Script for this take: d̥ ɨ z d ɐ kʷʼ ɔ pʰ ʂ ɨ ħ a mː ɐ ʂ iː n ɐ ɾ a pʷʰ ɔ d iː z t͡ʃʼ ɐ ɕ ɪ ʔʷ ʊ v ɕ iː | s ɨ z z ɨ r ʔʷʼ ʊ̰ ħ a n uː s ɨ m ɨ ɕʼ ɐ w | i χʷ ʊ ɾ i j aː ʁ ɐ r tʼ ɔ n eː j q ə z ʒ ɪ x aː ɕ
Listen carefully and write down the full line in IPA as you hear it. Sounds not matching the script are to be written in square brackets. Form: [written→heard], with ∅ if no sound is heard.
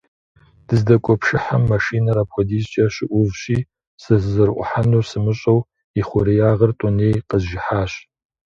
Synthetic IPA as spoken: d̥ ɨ z d ɐ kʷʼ ɔ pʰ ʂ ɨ ħ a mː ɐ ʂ iː n ɐ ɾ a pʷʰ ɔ d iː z t͡ʃʼ ɐ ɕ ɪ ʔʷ ʊ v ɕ iː | s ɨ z z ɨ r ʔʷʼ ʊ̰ ħ a n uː s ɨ m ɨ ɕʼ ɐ w | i χʷ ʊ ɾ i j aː ʁ ɐ r tʼ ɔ n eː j q ə z ʒ ɪ [x→ħ] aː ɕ